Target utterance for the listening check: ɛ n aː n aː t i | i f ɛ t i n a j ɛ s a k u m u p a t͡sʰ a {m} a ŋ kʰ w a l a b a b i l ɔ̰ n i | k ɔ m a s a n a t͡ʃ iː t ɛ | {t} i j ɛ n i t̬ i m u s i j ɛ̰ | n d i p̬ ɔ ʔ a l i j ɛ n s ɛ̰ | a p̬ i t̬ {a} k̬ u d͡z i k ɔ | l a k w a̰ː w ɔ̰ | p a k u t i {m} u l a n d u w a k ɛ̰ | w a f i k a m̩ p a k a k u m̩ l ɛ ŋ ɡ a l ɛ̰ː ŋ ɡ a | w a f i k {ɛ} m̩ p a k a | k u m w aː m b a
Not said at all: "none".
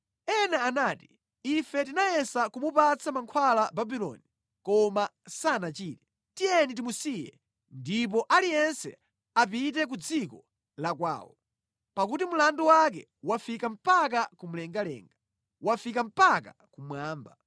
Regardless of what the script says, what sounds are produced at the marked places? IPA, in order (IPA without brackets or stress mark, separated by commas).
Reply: m, t, ɛ, m, a